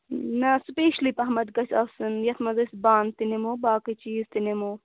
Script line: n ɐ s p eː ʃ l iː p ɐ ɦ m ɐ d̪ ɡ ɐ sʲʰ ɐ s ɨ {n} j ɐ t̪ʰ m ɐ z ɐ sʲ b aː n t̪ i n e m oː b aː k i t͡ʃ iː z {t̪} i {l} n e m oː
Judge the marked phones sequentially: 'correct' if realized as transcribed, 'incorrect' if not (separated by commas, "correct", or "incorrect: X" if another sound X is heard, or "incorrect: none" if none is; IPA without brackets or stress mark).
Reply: correct, correct, incorrect: none